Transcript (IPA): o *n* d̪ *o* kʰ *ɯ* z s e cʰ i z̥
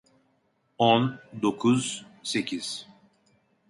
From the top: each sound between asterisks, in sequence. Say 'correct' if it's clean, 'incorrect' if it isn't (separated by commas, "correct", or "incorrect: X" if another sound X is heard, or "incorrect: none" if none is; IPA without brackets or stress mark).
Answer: correct, correct, incorrect: u